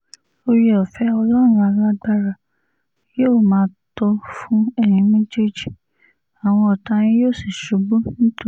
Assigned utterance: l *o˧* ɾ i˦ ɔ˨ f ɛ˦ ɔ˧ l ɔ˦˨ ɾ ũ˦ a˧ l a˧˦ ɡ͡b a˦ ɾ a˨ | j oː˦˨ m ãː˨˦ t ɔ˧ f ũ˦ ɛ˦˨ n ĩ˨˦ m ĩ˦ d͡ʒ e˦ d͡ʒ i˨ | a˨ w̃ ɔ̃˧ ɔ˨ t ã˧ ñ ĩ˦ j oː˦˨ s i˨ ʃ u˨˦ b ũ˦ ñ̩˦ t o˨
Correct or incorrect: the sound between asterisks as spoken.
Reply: correct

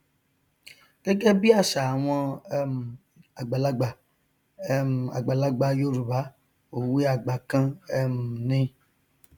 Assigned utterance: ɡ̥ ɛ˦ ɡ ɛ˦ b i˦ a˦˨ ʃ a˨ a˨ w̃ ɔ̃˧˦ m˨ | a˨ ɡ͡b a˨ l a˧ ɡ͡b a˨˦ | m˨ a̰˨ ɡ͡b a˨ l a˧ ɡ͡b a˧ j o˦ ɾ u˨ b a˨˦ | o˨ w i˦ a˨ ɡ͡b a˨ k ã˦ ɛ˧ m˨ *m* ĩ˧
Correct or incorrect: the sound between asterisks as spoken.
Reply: incorrect: n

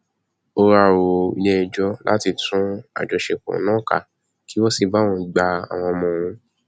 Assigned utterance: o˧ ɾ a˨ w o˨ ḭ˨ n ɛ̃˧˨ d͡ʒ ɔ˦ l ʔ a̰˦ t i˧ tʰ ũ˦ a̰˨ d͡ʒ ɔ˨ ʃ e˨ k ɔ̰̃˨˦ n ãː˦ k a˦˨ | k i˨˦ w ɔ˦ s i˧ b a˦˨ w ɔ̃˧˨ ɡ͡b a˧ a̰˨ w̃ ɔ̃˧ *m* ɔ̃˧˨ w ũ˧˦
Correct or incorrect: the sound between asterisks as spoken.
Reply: correct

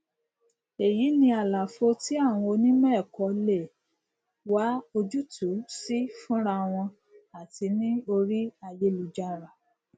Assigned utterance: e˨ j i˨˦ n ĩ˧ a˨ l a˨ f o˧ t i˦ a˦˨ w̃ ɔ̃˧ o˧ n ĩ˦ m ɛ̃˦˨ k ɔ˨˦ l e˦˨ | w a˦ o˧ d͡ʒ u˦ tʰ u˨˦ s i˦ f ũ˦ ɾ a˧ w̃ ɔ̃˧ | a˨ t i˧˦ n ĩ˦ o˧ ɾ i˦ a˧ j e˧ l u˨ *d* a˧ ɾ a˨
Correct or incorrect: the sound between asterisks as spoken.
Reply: incorrect: d͡ʒ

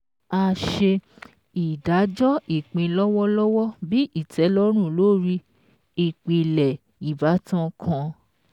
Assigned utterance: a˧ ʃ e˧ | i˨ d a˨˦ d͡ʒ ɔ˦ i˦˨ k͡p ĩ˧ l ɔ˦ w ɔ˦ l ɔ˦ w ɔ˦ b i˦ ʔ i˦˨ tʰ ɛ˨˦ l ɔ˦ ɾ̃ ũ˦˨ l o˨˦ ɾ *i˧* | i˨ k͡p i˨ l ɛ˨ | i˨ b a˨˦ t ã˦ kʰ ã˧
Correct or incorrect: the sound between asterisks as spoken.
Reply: correct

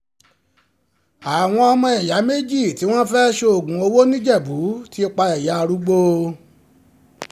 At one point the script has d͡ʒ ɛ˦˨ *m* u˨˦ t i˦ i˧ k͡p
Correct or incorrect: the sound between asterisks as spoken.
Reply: incorrect: b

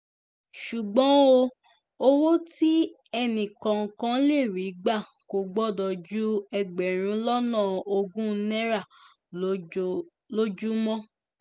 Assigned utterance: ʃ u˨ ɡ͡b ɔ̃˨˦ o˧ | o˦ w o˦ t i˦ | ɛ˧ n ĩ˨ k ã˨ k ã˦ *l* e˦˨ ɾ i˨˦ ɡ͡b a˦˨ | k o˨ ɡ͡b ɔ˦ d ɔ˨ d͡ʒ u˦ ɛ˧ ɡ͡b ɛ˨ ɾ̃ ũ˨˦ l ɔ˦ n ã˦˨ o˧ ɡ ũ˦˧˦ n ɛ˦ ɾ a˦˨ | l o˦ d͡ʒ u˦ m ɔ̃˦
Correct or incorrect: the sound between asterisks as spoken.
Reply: correct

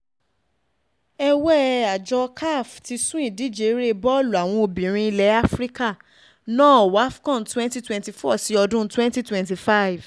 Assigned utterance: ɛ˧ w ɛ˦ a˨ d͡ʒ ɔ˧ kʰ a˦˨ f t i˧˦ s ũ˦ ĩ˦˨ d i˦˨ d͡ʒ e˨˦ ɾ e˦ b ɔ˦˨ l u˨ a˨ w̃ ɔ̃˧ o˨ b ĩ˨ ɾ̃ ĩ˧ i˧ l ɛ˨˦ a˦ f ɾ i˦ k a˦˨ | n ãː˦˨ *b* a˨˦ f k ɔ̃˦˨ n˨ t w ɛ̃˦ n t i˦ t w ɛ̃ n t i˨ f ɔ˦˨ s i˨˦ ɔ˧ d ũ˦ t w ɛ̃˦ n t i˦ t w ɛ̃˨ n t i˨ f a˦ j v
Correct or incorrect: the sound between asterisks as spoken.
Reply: incorrect: w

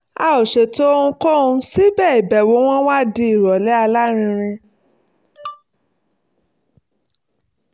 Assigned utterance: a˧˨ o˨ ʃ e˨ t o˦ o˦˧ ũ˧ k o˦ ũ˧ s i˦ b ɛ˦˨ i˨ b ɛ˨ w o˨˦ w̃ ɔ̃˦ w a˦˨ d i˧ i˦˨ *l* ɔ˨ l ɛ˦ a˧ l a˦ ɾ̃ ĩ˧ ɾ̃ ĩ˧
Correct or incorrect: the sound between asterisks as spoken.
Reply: incorrect: ɾ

